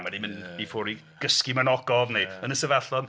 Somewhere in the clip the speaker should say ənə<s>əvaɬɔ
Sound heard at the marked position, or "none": s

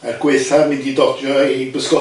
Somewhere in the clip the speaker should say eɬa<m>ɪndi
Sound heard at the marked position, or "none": m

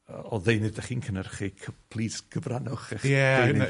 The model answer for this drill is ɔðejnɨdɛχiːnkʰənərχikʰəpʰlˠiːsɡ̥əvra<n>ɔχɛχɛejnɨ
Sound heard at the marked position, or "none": n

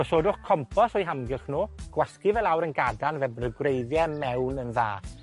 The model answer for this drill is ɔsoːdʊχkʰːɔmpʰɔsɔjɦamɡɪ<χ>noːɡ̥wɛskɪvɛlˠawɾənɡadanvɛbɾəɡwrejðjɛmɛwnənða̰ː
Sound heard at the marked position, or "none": χ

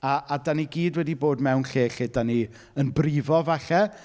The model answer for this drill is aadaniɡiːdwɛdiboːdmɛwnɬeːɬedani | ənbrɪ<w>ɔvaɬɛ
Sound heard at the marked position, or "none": v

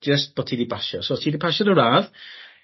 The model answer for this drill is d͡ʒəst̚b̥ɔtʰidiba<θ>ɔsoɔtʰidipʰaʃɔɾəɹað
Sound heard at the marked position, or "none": ʃ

